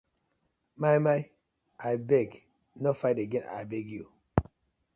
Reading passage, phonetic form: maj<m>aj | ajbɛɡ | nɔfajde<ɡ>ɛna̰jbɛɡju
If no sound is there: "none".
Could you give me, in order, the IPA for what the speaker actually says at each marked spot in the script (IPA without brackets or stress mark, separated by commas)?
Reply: m, ɡ